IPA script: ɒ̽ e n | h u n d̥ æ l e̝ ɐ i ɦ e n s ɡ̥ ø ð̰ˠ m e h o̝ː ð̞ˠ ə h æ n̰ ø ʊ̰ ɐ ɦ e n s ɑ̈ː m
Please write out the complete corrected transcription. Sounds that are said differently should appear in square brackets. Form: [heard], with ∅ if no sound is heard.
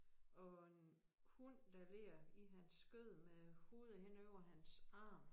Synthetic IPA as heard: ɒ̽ e n | h u n d̥ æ l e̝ ɐ i ɦ [æ] n s ɡ̥ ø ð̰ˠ m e h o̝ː ð̞ˠ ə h [e] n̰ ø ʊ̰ ɐ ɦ [æ] n s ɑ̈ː m